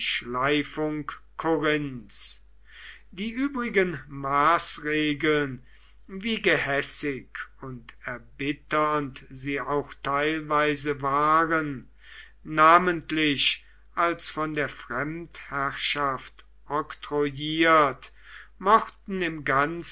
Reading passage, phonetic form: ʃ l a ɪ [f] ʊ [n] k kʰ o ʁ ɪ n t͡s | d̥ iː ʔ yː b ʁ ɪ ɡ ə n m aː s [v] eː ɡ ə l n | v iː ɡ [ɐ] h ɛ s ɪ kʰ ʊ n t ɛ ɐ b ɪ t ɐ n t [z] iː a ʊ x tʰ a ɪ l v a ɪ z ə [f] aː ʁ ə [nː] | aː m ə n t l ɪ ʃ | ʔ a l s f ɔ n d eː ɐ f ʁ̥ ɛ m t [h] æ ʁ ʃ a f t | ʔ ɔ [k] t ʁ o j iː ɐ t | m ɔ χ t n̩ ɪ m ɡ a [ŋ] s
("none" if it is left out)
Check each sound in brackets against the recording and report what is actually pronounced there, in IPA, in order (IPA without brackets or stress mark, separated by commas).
f, ŋ, ʁ, ə, z, v, nː, h, k, n